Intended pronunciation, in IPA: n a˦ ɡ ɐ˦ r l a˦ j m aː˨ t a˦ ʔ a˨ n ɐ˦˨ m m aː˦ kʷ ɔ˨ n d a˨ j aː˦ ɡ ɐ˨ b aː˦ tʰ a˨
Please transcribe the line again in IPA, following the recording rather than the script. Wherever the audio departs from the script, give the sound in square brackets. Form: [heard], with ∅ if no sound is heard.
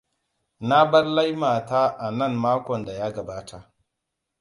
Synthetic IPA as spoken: n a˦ [b] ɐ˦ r l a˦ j m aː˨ t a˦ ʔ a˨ n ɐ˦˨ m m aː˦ kʷ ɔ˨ n d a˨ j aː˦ ɡ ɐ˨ b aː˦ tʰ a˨

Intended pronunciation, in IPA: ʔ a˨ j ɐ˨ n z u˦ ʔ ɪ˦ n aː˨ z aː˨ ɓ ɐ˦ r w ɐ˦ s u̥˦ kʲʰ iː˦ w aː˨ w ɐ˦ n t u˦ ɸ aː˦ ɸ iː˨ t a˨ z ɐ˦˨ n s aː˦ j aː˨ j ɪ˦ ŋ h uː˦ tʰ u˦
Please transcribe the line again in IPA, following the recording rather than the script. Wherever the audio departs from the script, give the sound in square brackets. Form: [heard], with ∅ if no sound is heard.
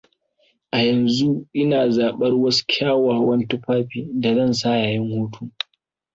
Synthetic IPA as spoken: ʔ a˨ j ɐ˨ n z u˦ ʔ ɪ˦ n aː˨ z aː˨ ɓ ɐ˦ r w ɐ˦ s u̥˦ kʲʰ [aː˦] w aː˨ w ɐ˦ n t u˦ ɸ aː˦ ɸ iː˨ [d] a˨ z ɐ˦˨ n s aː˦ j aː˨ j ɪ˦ ŋ h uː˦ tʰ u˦

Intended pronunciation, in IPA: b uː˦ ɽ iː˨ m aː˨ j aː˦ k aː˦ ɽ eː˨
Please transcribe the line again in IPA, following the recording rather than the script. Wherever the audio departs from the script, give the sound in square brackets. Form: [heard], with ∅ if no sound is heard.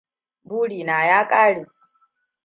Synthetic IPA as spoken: b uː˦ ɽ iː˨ [n] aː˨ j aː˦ [kʼ] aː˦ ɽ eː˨

